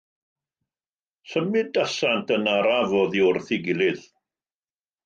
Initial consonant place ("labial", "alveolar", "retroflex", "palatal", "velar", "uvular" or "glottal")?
alveolar